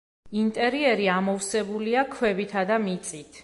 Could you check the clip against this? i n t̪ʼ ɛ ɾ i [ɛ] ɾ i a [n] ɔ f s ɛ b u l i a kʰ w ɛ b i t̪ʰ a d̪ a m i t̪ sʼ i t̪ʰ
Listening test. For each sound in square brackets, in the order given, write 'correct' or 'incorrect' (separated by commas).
correct, incorrect